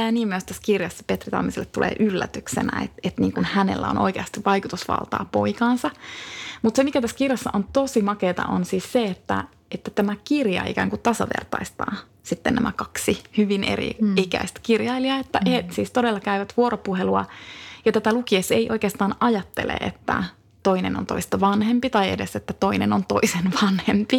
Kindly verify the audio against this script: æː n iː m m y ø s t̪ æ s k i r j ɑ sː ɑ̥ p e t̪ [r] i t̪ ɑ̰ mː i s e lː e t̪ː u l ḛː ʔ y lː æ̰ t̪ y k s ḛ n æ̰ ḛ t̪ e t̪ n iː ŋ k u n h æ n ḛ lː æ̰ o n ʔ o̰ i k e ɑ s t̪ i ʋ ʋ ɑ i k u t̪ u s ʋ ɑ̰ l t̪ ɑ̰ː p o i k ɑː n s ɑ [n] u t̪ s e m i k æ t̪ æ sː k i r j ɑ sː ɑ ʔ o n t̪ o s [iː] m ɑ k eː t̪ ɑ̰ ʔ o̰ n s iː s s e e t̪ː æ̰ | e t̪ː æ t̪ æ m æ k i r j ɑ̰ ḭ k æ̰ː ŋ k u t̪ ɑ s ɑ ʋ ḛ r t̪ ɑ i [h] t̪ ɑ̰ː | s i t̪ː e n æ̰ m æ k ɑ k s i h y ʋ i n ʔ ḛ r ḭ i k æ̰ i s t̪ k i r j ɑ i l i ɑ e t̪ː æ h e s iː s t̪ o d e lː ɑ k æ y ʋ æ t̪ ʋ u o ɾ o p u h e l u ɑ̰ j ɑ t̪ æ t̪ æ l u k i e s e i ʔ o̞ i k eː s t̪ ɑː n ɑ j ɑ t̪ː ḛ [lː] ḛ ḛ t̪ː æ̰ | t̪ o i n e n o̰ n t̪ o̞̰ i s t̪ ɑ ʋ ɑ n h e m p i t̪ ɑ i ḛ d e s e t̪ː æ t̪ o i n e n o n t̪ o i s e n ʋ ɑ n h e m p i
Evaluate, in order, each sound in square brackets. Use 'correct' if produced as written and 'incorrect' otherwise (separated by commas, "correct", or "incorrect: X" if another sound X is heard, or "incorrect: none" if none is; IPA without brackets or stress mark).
correct, incorrect: m, incorrect: i, incorrect: s, incorrect: l